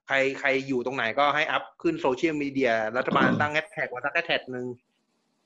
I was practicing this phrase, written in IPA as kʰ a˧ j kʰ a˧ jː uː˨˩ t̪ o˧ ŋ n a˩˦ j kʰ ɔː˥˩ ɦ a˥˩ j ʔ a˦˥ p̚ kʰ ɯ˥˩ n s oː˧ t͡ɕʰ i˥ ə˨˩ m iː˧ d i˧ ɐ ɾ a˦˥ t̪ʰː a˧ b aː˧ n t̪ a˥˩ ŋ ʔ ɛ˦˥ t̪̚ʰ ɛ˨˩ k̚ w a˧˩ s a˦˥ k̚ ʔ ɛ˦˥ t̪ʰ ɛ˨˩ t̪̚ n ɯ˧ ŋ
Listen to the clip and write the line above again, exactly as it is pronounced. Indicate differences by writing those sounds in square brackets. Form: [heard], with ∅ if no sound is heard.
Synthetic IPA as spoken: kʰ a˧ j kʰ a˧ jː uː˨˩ t̪ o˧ ŋ n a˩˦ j [k] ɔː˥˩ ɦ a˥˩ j ʔ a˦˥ p̚ kʰ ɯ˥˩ n s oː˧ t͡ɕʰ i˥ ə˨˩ m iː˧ d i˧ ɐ ɾ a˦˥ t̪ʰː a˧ b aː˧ n t̪ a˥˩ ŋ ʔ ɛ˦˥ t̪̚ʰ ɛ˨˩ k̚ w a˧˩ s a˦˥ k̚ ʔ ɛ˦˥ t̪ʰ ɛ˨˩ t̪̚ n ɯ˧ ŋ